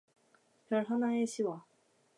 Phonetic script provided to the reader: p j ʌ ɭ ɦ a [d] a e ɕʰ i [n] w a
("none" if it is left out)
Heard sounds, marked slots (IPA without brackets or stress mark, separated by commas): n, none